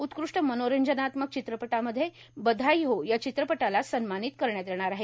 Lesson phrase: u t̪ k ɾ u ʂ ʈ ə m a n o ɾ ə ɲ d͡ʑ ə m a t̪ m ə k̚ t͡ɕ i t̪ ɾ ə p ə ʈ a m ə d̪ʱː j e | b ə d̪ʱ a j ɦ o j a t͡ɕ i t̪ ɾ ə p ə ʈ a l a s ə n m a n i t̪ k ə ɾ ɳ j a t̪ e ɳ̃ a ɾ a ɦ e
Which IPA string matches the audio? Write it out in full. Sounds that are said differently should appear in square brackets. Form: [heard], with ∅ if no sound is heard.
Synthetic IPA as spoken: u t̪ k ɾ u ʂ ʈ ə m [ə] n o ɾ ə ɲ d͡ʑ ə [n] a t̪ m ə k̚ t͡ɕ i t̪ ɾ ə p ə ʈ a m ə d̪ʱː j e | b ə d̪ʱ a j ɦ o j a t͡ɕ i t̪ ɾ ə p ə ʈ a l a s ə n m a n i t̪ k ə ɾ ɳ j a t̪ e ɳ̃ a ɾ a ɦ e